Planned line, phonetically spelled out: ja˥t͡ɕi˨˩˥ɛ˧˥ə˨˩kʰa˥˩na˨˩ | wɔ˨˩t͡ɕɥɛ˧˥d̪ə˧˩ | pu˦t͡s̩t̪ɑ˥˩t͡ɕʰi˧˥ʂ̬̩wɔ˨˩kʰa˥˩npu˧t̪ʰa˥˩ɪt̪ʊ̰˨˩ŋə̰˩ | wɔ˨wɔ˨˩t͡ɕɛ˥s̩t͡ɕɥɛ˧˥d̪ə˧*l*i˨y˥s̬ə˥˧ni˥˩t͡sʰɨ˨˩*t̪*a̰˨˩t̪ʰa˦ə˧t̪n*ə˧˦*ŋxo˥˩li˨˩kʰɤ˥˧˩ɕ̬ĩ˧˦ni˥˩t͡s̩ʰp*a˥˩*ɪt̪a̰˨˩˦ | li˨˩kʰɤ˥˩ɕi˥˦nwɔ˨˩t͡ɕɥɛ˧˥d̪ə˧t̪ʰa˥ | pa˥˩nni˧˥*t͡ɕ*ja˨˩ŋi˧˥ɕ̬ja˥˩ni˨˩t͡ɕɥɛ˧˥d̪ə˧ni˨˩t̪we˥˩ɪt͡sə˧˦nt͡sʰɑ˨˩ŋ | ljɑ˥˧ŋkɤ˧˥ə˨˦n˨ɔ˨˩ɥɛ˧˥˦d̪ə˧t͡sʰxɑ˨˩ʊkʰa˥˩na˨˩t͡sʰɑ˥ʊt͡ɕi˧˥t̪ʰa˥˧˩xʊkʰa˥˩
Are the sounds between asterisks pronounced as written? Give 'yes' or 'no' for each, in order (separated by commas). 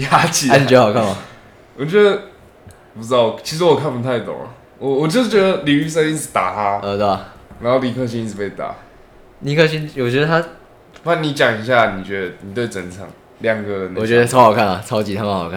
yes, yes, no, no, yes